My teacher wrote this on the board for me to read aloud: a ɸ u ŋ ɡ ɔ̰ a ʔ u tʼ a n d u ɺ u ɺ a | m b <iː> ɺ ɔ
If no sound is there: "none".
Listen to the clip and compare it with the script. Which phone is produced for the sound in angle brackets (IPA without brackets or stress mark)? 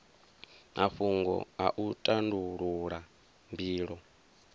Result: iː